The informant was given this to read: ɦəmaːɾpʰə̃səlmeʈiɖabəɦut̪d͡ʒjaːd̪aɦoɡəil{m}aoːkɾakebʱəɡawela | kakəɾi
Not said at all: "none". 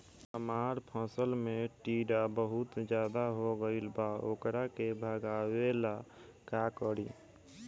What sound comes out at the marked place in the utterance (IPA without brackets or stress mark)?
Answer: b